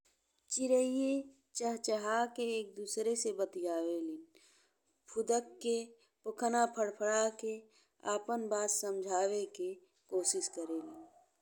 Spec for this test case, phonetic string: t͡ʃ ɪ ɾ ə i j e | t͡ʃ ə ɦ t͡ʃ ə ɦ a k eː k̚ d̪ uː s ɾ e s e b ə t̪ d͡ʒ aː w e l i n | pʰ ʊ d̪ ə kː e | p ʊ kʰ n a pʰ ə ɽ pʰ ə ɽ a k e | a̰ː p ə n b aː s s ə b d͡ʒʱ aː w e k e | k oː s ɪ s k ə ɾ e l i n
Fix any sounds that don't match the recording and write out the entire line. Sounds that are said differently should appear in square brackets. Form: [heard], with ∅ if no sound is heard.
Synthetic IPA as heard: t͡ʃ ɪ ɾ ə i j e | t͡ʃ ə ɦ t͡ʃ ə ɦ a k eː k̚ d̪ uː s ɾ e s e b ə t̪ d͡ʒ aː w e l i n | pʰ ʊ d̪ ə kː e | p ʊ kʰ n a pʰ ə ɽ pʰ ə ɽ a k e | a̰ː p ə n b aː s s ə [m] d͡ʒʱ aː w e k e | k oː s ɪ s k ə ɾ e l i n